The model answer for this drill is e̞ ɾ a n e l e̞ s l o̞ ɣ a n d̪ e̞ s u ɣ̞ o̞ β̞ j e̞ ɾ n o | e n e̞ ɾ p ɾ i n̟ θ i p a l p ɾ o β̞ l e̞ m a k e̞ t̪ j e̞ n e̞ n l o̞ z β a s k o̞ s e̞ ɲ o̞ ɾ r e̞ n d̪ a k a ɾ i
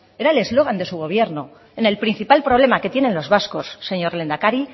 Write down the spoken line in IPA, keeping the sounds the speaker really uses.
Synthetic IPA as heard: e̞ ɾ a e l e̞ z l o̞ ɣ a n d̪ e̞ s u ɣ̞ o̞ β̞ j e̞ ɾ n o | e n e̞ l p ɾ i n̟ θ i p a l p ɾ o β̞ l e̞ m a k e̞ t̪ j e̞ n e̞ n l o̞ z β a s k o̞ sː e̞ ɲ o̞ ɾ l e̞ n d̪ a k a ɾ i

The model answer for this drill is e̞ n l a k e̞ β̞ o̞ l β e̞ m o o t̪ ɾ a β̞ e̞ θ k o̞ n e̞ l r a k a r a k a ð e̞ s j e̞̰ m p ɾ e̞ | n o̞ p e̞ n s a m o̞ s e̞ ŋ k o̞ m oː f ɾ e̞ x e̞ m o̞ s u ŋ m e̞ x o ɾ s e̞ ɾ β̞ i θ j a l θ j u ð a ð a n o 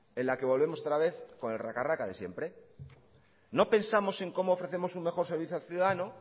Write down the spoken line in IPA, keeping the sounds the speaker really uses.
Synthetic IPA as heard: e̞ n l a k e̞ β̞ o̞ l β e̞ m o o t̪ ɾ a β̞ e̞ θ k o̞ n e̞ l r a k a r a k a ð e̞ s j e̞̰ m p ɾ e̞ | n o̞ p e̞ n s a m o̞ s e̞ ŋ k o̞ m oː f ɾ e̞ θ e̞ m o̞ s u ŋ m e̞ x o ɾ s e̞ ɾ β̞ i θ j a l θ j u ð a ð a n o

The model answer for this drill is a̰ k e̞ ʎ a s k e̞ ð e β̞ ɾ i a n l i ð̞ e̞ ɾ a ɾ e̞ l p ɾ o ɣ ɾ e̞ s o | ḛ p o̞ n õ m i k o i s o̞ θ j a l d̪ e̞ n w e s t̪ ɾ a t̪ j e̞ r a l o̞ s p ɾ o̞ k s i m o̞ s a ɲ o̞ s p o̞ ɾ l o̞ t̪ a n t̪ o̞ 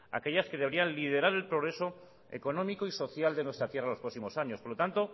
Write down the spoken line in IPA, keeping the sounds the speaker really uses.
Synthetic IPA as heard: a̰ k e̞ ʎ a s k e̞ ð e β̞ ɾ i a n l i ð̞ e̞ ɾ a ɾ e̞ l p ɾ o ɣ ɾ e̞ s o | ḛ k o̞ n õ m i k o i s o̞ θ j a l d̪ e̞ n w e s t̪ ɾ a t̪ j e̞ r a l o̞ s p ɾ o̞ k s i m o̞ s a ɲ o̞ s p o̞ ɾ l o̞ t̪ a n t̪ o̞

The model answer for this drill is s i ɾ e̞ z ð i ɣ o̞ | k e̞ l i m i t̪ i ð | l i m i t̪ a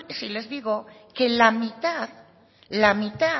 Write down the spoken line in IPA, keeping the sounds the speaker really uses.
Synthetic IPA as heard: s i l e̞ z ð i ɣ o̞ | k e̞ l a m i t̪ a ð | l a m i t̪ a

